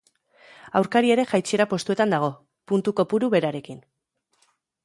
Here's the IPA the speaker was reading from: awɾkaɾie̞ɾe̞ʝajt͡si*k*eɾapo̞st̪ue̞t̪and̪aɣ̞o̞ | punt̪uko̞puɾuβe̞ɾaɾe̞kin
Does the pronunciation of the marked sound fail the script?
yes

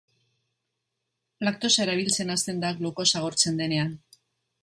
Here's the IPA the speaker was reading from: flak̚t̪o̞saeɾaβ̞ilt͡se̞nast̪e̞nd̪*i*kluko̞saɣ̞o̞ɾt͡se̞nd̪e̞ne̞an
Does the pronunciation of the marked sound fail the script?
yes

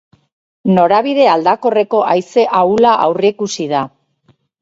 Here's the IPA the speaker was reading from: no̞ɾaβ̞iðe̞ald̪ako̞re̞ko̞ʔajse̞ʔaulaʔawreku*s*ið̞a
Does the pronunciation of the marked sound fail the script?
no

